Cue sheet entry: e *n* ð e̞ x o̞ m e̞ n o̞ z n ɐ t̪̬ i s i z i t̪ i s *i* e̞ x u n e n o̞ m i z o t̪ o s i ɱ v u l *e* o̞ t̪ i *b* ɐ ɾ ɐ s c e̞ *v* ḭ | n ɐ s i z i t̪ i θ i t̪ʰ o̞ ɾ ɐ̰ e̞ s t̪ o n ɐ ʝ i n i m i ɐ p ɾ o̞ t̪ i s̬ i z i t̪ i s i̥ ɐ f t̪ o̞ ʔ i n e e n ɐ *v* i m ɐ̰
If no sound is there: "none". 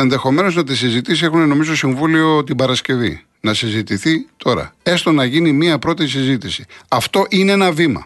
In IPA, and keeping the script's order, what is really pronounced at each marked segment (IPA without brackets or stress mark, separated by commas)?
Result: n, i, i, b, v, v